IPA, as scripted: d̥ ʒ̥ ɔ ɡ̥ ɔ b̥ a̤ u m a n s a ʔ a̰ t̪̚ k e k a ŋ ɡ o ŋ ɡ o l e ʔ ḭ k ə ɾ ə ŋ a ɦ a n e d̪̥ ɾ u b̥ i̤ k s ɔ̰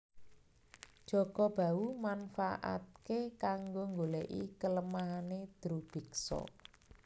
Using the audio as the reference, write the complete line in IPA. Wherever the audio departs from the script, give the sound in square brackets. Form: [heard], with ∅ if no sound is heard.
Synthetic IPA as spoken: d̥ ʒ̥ ɔ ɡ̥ ɔ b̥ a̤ u m a n [f] a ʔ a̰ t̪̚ k e k a ŋ ɡ o ŋ ɡ o l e ʔ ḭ k ə [l] ə [m] a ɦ a n e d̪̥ ɾ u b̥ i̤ k s ɔ̰